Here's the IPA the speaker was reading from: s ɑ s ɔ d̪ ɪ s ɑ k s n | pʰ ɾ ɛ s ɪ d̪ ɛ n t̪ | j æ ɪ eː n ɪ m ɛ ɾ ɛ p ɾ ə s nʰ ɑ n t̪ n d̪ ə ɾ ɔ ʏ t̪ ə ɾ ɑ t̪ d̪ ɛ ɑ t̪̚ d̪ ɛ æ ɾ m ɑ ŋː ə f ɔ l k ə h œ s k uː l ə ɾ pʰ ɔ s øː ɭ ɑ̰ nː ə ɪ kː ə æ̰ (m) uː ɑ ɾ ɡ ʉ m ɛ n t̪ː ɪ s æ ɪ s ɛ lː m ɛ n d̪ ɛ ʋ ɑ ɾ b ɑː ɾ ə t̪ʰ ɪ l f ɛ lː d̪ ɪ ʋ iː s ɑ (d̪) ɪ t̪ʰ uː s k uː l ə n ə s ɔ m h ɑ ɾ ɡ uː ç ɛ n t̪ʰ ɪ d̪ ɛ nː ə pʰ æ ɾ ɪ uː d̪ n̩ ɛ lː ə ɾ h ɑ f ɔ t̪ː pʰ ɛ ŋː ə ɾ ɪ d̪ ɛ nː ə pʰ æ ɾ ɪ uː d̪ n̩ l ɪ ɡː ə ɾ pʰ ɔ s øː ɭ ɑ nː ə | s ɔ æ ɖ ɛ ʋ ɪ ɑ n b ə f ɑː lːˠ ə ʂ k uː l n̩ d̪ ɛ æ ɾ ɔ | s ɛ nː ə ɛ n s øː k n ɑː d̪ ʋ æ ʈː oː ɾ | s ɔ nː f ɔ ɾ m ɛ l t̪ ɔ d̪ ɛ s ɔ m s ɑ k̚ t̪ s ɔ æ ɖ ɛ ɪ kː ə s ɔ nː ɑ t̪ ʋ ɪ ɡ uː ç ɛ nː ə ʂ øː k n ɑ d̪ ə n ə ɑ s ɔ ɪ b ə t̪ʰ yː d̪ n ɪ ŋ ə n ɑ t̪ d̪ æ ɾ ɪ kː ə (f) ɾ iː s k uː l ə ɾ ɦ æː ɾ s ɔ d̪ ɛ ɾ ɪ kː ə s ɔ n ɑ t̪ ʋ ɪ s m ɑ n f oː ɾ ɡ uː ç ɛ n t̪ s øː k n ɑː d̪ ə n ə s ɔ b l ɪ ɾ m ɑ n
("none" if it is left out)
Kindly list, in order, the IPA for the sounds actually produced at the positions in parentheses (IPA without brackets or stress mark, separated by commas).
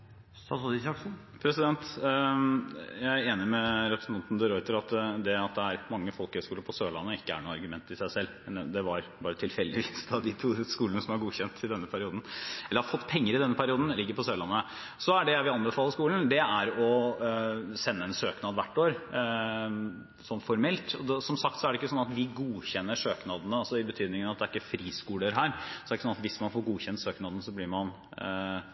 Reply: ɳ, d̪, f